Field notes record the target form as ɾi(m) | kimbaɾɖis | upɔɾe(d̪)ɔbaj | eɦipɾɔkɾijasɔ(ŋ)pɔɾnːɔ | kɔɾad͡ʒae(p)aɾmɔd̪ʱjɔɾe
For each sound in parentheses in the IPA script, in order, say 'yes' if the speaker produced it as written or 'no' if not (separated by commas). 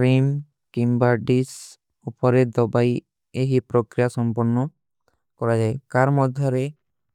yes, yes, no, no